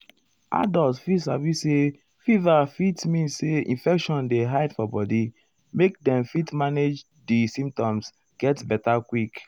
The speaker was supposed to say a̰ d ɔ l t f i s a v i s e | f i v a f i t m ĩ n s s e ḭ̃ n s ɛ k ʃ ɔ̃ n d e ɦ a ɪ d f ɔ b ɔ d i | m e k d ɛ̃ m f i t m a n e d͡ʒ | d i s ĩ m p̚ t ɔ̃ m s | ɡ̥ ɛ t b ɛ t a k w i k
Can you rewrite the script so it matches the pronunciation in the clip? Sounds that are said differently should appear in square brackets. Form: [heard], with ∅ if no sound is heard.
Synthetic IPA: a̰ d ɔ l t f i s a v i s e | f i v a f i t m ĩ n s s e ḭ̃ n [f] ɛ k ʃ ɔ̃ n d e ɦ a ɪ d f ɔ b ɔ d i | m e k d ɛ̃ m f i t m a n e d͡ʒ | d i s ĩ m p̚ t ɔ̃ m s | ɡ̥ ɛ t b ɛ t a k w i k